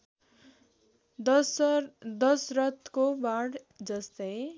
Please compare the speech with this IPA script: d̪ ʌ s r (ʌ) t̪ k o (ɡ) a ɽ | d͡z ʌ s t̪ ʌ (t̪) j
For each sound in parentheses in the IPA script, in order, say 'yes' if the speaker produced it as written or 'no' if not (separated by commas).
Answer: yes, no, no